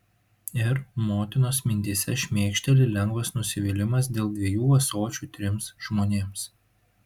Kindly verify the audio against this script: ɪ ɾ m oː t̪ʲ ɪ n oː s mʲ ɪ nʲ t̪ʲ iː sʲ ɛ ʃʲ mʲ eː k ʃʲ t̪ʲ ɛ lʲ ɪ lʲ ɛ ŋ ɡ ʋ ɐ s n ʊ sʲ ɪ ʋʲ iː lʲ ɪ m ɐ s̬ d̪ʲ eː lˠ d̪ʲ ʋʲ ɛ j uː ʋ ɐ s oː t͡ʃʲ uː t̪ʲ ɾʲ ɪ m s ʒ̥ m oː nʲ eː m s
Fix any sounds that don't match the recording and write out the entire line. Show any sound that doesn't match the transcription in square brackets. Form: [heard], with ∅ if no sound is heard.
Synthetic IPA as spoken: ɪ ɾ m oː t̪ʲ ɪ n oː s mʲ ɪ nʲ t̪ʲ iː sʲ ɛ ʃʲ mʲ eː k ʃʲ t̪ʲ ɛ lʲ ɪ lʲ ɛ ŋ ɡ ʋ ɐ s n ʊ sʲ ɪ ʋʲ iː lʲ ɪ m ɐ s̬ d̪ʲ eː lˠ d̪ʲ ʋʲ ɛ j uː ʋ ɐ s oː t͡ʃʲ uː t̪ʲ ɾʲ ɪ m s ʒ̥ m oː nʲ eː m s